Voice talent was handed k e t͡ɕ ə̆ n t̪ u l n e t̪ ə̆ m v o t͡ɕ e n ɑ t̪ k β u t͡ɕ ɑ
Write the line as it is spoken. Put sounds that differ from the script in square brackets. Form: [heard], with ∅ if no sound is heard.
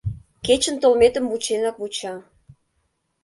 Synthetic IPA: k e t͡ɕ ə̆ n t̪ [o] l [m] e t̪ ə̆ m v [u] t͡ɕ e n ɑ [∅] k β u t͡ɕ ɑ